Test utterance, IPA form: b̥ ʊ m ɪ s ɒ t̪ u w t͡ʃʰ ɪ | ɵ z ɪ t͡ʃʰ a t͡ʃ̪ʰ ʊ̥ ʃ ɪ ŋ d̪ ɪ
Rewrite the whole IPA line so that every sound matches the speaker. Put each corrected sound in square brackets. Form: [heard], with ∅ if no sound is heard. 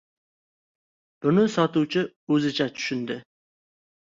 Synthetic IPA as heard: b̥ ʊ [n] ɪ s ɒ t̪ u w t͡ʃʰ ɪ | ɵ z ɪ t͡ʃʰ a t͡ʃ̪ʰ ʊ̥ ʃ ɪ [n] d̪ ɪ